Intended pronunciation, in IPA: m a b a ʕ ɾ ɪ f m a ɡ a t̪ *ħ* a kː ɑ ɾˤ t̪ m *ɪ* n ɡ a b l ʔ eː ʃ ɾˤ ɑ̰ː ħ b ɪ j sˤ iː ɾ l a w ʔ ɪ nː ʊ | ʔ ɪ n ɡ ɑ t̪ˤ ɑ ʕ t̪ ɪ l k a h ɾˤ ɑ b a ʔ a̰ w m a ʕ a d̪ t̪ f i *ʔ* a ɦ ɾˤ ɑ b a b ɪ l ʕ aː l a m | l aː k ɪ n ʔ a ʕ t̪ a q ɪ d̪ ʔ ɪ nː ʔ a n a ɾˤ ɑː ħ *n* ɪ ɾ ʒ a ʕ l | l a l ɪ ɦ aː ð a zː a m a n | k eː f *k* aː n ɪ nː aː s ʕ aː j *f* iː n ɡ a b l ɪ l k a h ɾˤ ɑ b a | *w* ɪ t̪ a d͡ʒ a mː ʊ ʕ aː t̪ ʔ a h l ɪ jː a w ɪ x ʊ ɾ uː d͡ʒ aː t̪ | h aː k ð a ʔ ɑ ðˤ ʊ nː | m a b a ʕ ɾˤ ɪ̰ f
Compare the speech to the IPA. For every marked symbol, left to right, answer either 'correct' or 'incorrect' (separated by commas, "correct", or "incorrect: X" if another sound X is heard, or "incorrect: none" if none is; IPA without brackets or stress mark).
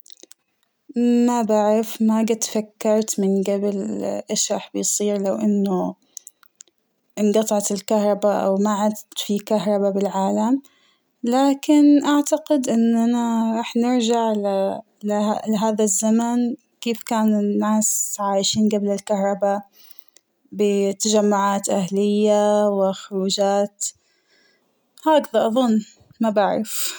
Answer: incorrect: f, correct, incorrect: k, correct, correct, incorrect: ʃ, incorrect: b